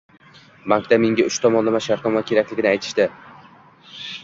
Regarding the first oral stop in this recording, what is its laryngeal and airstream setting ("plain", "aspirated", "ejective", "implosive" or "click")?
plain